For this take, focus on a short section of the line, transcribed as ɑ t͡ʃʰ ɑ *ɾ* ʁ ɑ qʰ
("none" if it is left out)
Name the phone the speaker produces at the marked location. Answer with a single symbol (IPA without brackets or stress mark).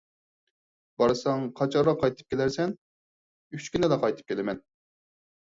ɾ